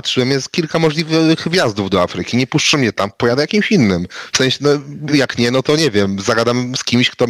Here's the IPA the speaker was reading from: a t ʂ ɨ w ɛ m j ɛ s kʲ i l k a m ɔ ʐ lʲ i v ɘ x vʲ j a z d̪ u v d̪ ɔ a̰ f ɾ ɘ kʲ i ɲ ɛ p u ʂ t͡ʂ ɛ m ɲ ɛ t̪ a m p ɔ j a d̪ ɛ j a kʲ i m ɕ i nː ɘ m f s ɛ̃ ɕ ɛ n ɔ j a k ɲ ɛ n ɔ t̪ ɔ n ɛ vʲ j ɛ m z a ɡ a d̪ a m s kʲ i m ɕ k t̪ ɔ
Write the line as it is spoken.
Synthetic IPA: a t ʂ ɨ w ɛ m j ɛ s kʲ i l k a m ɔ ʐ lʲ i v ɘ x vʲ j a z d̪ u v d̪ ɔ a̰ f ɾ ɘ kʲ i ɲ ɛ p u ʂ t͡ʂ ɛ m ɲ ɛ t̪ a m p ɔ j a d̪ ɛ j a kʲ i m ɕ i nː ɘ m f s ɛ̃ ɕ ɛ n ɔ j a k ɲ ɛ n ɔ t̪ ɔ ɲ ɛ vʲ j ɛ m z a ɡ a d̪ a m s kʲ i m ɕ k t̪ ɔ